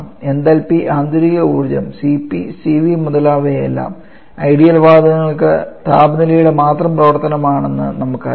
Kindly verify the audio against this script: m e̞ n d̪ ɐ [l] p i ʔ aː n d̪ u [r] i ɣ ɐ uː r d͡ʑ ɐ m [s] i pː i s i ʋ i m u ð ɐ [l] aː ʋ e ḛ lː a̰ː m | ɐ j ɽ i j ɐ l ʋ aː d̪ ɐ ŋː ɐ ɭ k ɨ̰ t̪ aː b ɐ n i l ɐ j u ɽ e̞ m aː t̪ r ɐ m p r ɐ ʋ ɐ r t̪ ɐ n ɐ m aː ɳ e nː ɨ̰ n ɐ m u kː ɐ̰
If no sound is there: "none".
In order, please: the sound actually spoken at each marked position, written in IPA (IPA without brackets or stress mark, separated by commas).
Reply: l, ɾ, s, l